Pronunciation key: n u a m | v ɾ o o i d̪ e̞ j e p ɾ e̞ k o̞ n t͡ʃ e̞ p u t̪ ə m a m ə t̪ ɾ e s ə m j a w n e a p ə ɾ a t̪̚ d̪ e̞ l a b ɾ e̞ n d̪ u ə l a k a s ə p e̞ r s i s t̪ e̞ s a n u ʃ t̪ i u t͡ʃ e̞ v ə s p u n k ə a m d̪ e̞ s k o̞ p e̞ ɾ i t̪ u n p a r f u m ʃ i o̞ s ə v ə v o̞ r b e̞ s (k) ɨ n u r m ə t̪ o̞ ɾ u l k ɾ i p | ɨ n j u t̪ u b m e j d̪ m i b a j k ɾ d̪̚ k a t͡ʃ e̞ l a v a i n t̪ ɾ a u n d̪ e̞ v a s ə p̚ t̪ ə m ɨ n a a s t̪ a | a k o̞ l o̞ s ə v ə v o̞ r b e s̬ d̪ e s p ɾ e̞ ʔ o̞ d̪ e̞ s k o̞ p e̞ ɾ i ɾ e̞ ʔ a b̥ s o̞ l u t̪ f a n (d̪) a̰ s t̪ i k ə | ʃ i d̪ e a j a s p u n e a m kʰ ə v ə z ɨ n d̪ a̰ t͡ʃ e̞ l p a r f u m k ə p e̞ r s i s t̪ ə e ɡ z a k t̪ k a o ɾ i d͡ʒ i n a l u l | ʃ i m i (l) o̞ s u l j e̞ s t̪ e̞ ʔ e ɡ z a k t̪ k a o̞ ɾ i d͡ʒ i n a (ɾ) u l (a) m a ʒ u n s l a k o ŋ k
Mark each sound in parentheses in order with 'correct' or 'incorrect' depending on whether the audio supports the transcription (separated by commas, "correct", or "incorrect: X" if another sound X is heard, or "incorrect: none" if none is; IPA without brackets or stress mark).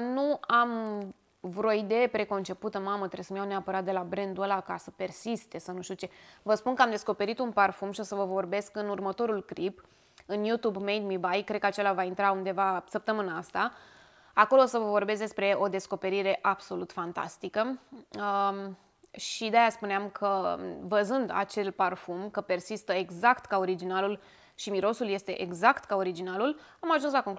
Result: correct, incorrect: t̪, incorrect: ɾ, incorrect: l, correct